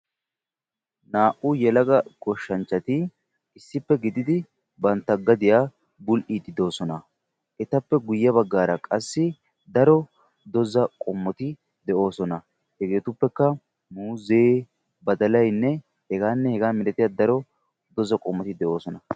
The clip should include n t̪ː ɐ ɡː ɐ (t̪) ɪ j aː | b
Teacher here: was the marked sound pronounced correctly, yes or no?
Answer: no